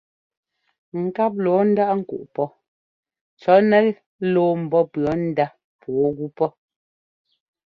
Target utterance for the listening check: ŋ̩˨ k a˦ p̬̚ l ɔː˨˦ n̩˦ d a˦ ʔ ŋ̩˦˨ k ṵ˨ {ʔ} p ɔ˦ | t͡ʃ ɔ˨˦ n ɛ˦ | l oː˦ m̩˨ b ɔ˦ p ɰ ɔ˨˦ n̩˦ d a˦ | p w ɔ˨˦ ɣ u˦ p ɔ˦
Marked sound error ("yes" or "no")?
no